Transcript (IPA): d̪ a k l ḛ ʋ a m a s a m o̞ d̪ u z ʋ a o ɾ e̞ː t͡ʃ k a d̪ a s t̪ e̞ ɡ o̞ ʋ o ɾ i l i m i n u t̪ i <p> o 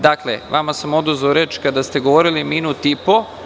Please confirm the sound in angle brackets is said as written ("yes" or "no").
yes